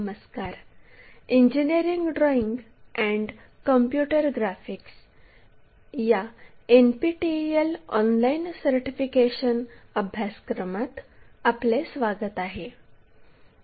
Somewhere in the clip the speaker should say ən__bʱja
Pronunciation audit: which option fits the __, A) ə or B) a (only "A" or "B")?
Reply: A